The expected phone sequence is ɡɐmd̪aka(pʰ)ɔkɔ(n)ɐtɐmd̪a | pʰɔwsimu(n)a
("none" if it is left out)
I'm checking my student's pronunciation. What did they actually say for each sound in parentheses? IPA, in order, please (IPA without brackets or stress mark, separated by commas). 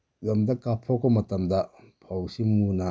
pʰ, m, n